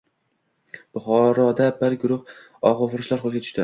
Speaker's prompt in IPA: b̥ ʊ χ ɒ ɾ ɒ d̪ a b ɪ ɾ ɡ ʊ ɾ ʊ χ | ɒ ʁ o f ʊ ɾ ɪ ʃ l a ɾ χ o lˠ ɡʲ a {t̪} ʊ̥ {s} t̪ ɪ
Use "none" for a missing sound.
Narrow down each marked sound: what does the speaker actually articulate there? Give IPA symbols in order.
t̪, ʃ

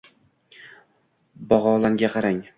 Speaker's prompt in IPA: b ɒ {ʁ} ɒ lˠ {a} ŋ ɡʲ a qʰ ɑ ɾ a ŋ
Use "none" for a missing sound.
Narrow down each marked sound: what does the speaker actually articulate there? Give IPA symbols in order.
ʁ, a

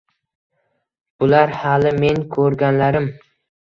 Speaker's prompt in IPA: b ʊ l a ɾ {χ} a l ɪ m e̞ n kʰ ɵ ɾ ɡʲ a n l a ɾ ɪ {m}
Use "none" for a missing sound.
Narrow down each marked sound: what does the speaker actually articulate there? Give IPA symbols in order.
h, m

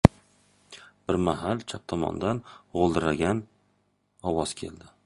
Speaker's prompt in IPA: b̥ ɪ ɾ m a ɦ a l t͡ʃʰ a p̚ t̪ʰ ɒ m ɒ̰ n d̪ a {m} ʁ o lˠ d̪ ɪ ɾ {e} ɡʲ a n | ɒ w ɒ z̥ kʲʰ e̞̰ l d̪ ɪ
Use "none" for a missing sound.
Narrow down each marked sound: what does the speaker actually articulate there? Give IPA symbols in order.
n, a

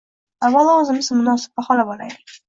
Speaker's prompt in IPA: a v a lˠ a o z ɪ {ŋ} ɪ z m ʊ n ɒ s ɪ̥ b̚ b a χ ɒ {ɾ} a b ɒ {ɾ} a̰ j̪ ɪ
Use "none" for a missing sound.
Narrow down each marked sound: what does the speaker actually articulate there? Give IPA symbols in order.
m, l, l

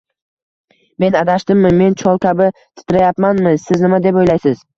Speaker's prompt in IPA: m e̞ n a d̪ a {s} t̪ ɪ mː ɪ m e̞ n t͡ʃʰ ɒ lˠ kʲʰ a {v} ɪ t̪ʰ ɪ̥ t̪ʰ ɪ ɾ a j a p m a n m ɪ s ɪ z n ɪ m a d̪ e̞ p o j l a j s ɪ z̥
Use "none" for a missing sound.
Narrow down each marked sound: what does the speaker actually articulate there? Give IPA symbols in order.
ʃ, b

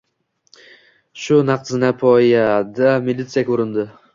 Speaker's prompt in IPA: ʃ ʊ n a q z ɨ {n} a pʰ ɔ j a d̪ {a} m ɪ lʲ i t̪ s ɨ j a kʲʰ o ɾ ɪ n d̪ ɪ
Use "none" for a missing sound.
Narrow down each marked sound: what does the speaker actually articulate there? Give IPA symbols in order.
n, a

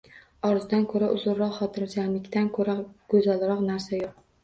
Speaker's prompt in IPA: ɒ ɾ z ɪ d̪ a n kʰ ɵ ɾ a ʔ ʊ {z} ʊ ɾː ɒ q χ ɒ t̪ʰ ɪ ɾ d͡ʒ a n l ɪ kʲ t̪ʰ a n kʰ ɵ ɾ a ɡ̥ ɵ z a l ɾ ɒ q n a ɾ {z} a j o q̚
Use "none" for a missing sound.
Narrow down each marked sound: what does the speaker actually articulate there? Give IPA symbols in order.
z, s

